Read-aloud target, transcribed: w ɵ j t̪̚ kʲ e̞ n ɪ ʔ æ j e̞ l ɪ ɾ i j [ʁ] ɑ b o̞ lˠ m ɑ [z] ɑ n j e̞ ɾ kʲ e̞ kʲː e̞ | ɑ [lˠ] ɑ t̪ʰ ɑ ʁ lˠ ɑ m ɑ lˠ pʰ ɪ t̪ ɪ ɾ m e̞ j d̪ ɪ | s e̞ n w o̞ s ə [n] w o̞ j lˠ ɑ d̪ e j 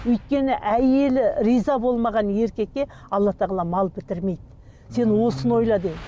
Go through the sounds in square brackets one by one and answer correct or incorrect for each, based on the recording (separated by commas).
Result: incorrect, incorrect, incorrect, correct